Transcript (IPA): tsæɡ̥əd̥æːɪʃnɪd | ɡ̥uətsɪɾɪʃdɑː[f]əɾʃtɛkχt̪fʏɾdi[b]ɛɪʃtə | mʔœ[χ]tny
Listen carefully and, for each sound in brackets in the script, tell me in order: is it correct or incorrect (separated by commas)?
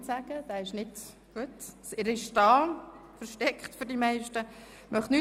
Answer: correct, incorrect, correct